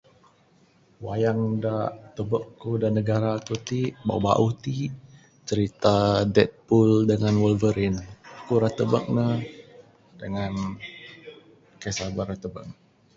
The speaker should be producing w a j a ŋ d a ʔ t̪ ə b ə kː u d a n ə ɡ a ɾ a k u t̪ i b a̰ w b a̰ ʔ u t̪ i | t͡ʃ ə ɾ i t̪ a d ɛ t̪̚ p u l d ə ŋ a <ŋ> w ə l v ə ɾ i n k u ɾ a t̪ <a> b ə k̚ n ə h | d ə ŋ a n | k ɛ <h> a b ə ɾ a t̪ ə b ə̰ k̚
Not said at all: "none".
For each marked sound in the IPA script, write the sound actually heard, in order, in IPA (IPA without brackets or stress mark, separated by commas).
n, ə, s